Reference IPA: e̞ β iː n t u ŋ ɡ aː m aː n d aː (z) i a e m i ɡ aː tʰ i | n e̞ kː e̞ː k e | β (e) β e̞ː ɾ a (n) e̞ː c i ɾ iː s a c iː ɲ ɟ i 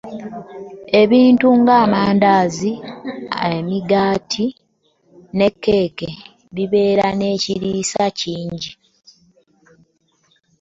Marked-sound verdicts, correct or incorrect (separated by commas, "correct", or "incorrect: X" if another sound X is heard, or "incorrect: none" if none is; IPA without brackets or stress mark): correct, incorrect: i, correct